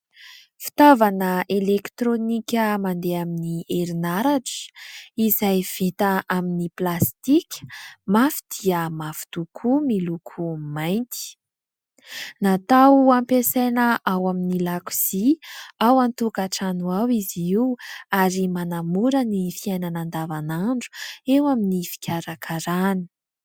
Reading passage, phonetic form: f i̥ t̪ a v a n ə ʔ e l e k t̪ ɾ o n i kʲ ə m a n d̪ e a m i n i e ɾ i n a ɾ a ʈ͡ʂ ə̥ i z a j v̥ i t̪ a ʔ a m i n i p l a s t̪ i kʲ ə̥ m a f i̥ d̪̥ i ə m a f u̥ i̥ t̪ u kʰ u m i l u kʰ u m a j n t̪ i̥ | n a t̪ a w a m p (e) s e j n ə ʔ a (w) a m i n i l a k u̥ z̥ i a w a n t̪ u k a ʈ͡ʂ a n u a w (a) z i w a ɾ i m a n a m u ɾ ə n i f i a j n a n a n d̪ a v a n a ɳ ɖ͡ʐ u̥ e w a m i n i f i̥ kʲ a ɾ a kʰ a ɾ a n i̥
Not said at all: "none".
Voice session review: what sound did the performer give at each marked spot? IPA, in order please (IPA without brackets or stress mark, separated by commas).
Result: e, w, i